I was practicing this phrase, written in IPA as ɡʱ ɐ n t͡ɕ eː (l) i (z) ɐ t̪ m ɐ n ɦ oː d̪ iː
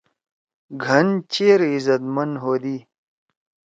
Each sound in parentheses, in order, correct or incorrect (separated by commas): incorrect, correct